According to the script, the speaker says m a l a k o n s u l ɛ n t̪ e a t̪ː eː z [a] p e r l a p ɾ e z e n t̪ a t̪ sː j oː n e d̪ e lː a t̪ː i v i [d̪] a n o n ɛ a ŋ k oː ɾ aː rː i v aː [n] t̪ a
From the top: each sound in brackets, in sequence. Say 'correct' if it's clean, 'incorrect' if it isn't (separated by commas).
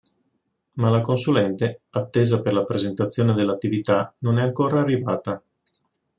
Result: correct, incorrect, incorrect